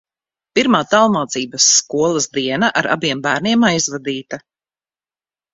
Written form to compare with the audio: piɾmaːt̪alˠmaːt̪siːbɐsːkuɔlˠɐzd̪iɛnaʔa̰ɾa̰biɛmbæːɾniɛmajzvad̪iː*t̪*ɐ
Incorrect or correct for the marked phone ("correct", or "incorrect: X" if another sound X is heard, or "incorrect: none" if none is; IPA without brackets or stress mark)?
correct